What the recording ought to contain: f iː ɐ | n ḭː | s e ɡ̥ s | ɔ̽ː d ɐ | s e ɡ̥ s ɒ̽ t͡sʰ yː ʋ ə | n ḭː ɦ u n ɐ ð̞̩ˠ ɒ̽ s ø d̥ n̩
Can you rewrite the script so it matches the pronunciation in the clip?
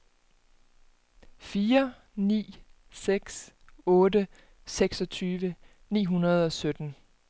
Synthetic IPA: f iː ɐ | n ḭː | s e ɡ̥ s | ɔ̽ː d ə | s e ɡ̥ s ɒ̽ t͡sʰ yː ʋ ə | n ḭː ɦ u n ɐ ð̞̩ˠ ɒ̽ s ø d̥ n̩